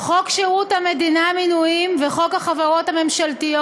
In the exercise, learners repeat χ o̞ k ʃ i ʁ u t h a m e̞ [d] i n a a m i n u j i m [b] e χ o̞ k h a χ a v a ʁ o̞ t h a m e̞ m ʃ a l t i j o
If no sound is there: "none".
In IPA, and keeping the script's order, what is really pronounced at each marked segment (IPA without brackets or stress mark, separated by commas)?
d, v